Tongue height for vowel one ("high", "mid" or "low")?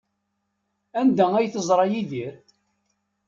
low